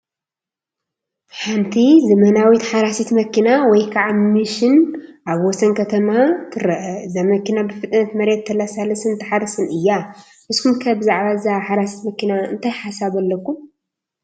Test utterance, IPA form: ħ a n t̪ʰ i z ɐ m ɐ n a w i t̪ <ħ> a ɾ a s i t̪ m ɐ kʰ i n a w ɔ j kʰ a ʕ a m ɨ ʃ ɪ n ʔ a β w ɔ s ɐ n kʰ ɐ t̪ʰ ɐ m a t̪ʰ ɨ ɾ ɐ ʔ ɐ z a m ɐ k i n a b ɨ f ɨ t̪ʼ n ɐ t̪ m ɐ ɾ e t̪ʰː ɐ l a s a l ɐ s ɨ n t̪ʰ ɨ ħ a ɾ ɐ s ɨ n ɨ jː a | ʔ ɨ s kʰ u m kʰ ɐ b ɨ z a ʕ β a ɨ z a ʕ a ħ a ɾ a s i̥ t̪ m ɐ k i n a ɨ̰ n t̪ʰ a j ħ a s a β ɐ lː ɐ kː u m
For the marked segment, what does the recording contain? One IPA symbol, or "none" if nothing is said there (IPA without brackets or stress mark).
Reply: ħ